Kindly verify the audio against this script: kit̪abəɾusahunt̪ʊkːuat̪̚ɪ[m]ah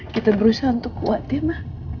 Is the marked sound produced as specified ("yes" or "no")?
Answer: yes